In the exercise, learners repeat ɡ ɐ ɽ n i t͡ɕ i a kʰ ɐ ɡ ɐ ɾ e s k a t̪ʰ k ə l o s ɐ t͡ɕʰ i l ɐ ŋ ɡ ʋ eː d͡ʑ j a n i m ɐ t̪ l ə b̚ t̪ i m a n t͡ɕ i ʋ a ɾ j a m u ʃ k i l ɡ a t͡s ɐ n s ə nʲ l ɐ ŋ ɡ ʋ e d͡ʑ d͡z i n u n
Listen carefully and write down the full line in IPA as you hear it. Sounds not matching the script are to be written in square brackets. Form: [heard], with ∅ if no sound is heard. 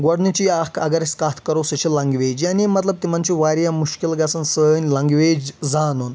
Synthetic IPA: ɡ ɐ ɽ n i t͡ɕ i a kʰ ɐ ɡ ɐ ɾ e s k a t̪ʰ k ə [ɾ] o s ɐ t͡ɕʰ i l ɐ ŋ ɡ ʋ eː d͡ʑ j a n i m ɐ t̪ l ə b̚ t̪ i m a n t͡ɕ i ʋ a ɾ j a m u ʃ k i l ɡ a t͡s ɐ n s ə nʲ l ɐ ŋ ɡ ʋ e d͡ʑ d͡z [a] n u n